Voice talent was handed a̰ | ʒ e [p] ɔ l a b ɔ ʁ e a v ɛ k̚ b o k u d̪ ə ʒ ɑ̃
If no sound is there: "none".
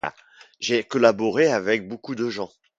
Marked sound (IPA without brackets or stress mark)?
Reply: k